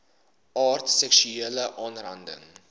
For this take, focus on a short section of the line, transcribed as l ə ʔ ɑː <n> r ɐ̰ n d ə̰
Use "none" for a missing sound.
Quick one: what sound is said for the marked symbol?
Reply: n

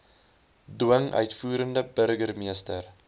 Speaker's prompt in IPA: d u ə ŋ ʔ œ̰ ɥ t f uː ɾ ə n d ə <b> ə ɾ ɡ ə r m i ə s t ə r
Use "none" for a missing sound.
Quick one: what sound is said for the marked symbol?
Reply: b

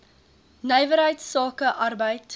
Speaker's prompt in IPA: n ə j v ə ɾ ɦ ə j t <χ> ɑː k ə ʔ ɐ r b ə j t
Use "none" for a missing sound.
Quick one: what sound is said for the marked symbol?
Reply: s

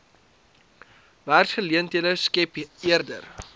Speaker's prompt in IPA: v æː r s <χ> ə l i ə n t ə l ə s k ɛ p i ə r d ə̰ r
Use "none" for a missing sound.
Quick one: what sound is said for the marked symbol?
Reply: χ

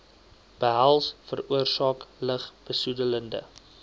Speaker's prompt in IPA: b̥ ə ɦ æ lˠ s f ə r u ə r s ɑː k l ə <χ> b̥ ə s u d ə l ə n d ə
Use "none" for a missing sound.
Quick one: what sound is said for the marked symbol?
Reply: χ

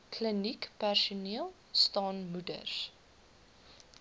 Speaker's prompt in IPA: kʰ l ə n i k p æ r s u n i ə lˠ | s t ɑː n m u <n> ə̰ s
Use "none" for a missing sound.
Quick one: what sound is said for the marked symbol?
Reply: d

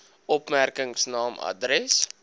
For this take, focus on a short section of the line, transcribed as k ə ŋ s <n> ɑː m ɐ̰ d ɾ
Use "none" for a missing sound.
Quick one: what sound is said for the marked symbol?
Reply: n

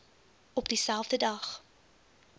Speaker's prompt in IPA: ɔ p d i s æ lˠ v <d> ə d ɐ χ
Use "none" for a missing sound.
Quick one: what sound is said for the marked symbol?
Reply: d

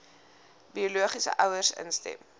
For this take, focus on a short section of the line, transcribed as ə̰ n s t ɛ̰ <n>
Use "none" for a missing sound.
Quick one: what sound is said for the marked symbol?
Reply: m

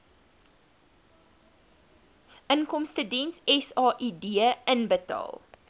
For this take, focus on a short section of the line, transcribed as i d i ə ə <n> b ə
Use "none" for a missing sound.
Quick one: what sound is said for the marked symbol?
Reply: n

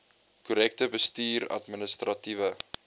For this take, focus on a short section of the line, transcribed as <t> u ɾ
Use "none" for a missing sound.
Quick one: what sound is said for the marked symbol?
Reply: k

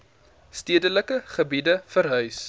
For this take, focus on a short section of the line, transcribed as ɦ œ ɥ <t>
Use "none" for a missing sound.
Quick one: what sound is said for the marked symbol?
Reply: s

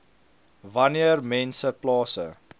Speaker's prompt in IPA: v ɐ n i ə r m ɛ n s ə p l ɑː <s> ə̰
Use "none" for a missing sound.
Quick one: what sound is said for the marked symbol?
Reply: s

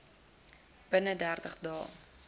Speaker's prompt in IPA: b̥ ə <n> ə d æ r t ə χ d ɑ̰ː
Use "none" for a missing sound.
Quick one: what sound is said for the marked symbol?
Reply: n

